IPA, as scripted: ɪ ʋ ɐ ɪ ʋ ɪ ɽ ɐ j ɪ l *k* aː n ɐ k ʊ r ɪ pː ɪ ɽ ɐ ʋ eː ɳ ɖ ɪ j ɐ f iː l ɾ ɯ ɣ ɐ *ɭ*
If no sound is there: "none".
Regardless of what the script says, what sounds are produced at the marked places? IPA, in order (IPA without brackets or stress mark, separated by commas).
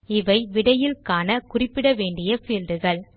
k, ɭ